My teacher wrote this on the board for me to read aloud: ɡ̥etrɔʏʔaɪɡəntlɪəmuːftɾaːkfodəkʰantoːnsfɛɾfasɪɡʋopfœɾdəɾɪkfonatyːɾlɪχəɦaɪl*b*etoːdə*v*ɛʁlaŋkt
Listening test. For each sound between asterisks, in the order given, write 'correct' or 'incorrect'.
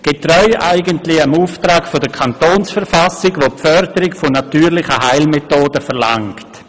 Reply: incorrect: m, incorrect: f

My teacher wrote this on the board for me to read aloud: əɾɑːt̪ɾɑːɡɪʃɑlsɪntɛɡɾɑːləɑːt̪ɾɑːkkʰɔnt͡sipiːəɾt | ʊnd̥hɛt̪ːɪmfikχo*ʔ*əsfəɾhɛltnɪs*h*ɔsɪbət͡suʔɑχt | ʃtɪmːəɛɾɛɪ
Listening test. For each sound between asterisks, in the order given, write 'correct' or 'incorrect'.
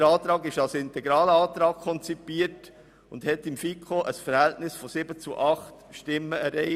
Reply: correct, incorrect: f

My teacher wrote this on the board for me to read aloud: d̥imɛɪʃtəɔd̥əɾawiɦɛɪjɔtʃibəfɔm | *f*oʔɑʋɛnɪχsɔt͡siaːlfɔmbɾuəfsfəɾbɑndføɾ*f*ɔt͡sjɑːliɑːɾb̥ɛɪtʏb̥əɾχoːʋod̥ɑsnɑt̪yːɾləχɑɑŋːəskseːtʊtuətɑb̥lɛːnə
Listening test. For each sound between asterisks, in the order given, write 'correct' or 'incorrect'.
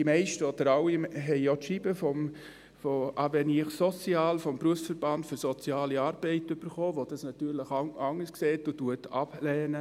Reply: correct, incorrect: s

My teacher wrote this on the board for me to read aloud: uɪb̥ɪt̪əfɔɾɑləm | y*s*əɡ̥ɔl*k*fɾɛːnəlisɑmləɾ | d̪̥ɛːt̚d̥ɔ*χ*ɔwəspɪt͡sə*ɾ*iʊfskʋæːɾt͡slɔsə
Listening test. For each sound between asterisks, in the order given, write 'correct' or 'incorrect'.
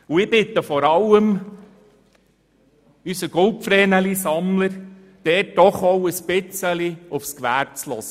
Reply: correct, incorrect: p, correct, incorrect: l

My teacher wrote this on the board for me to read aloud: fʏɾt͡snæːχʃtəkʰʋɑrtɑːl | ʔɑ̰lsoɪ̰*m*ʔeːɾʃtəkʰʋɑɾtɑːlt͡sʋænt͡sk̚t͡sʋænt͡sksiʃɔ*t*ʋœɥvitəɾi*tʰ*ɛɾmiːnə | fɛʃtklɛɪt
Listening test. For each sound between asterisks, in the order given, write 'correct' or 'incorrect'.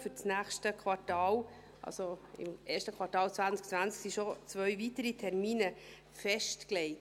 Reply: correct, incorrect: t͡s, correct

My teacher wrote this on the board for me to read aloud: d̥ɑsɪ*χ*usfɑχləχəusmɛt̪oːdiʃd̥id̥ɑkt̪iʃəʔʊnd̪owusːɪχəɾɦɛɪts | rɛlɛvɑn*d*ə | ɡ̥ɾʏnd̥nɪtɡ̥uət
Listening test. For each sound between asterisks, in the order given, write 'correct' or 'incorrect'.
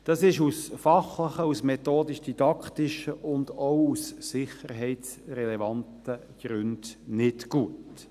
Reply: incorrect: ʃ, incorrect: t

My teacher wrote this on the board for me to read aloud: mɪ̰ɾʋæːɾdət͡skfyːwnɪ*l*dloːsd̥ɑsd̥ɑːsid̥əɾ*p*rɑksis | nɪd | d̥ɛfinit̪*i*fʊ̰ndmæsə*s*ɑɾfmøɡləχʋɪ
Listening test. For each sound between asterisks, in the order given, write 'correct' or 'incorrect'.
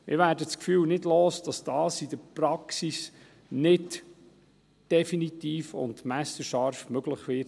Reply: incorrect: none, correct, incorrect: iː, incorrect: ʃ

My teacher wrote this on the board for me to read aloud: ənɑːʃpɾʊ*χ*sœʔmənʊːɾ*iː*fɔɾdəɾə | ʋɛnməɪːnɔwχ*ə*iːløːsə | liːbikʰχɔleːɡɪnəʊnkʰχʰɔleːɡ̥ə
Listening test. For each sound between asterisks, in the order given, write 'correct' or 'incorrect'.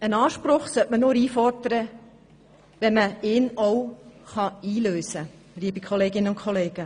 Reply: correct, correct, incorrect: ɑ

